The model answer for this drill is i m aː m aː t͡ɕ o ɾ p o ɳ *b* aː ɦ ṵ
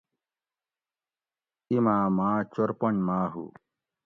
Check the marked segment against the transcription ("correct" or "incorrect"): incorrect